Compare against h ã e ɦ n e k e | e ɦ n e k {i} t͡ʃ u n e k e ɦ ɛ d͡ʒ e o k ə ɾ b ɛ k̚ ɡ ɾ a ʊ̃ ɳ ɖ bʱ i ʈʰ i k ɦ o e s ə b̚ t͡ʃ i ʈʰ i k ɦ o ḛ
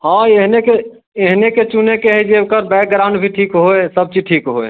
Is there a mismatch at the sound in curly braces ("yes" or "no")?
yes